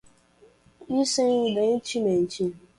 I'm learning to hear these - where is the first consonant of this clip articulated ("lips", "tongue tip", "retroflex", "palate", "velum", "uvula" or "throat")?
tongue tip